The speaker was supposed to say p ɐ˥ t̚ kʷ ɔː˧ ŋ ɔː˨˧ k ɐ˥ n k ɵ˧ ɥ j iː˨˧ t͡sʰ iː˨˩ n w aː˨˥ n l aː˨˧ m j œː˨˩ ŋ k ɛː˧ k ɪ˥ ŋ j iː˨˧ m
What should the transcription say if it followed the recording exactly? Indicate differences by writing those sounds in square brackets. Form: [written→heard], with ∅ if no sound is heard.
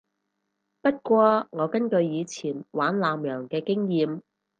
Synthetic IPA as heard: p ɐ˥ t̚ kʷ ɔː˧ ŋ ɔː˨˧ k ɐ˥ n k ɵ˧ ɥ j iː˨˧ t͡sʰ iː˨˩ n w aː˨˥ n l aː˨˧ m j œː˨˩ ŋ k ɛː˧ k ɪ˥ ŋ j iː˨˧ m